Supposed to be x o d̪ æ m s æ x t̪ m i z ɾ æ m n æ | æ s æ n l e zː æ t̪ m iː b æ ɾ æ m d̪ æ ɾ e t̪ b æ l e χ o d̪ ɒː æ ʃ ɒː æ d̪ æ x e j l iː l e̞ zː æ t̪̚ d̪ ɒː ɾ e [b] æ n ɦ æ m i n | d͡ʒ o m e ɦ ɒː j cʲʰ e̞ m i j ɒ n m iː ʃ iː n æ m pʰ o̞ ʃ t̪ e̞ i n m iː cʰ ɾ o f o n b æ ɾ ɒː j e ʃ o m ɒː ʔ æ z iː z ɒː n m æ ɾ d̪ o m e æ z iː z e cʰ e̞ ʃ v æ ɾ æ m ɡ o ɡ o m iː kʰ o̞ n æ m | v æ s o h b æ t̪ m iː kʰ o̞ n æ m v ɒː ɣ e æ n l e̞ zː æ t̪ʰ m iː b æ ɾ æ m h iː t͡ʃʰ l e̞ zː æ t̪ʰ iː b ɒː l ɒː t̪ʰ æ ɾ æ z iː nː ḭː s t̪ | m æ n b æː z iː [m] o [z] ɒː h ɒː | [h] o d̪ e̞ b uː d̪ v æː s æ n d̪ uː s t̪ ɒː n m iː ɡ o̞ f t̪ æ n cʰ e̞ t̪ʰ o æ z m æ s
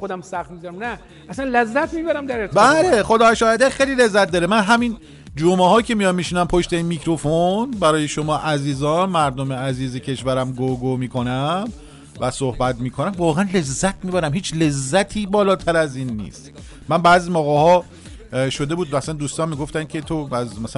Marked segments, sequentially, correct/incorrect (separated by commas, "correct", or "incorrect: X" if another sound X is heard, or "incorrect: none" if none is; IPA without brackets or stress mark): incorrect: m, correct, incorrect: ɣ, incorrect: ʃ